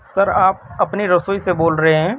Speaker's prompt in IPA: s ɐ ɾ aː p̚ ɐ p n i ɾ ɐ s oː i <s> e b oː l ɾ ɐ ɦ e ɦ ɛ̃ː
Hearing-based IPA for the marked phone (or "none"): s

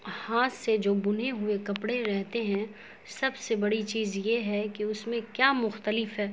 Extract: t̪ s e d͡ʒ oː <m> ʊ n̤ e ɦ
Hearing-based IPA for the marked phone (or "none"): b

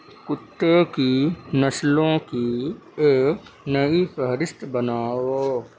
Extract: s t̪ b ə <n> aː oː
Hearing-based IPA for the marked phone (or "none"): n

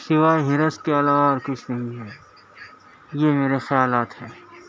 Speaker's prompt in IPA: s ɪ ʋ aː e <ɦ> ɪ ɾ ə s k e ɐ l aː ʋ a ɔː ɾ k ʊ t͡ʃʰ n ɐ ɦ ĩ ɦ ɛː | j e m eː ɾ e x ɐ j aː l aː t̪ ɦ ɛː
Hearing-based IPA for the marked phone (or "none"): ɦ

